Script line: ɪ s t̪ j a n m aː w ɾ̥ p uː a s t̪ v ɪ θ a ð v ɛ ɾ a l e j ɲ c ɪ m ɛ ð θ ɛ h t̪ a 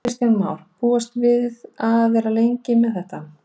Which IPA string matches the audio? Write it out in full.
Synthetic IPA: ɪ s t̪ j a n m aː w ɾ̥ p uː a s t̪ v ɪ ð a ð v ɛ ɾ a l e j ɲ c ɪ m ɛ ð θ ɛ h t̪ a